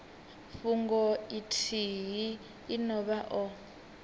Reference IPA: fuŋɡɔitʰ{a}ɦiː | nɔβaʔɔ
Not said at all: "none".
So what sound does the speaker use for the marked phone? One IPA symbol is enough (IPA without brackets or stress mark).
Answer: i